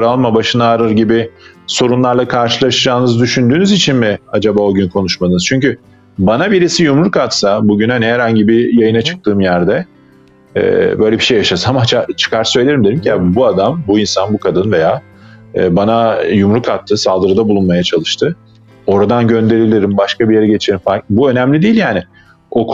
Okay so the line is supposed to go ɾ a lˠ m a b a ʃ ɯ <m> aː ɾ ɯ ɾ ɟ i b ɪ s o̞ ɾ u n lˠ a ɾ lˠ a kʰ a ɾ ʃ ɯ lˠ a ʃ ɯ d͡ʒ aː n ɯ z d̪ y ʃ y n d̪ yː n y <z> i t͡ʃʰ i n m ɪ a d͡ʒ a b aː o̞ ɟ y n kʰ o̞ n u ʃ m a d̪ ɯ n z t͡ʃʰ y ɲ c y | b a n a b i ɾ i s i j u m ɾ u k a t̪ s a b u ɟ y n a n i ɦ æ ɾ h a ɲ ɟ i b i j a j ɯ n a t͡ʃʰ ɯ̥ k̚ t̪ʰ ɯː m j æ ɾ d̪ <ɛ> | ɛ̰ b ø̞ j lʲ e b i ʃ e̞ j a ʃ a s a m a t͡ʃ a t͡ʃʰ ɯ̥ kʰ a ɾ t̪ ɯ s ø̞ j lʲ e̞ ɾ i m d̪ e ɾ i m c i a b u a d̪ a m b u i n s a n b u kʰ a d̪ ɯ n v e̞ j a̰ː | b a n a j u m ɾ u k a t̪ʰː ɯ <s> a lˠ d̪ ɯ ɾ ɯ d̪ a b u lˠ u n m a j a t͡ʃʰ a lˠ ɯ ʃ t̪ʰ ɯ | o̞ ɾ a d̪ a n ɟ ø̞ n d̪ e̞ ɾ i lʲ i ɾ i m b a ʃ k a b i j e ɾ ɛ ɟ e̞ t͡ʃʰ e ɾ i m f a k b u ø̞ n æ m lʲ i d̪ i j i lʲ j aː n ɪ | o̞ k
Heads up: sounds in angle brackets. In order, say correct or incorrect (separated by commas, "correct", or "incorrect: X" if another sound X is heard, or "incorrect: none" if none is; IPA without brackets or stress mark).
incorrect: n, correct, correct, correct